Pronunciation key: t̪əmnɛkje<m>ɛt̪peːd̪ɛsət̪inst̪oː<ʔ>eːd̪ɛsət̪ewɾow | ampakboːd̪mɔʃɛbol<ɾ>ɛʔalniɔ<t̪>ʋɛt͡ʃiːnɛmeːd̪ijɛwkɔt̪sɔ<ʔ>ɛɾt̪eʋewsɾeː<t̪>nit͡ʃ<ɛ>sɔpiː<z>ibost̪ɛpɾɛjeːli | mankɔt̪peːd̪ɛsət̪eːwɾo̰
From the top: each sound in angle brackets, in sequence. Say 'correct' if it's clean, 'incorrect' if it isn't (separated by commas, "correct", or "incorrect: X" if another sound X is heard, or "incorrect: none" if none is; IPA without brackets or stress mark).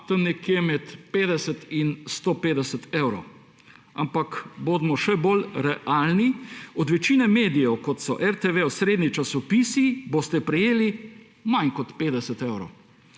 correct, incorrect: p, correct, incorrect: d̪, correct, incorrect: d̪, incorrect: a, incorrect: s